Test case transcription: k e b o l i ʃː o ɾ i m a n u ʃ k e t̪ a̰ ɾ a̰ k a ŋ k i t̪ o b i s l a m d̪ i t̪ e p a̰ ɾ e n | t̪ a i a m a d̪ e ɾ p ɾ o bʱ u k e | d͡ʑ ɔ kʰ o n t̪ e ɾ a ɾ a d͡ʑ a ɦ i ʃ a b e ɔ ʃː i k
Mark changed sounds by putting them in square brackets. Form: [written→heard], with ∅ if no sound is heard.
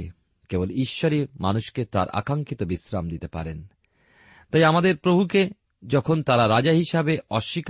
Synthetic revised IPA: k e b o l i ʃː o ɾ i m a n u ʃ k e t̪ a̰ ɾ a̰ k a ŋ k i t̪ o b i s [l→ɾ] a m d̪ i t̪ e p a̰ ɾ e n | t̪ a [i→j] a m a d̪ e ɾ p ɾ o bʱ u k e | d͡ʑ ɔ kʰ o n t̪ [e→a] ɾ a ɾ a d͡ʑ a ɦ i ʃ a b e ɔ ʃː i k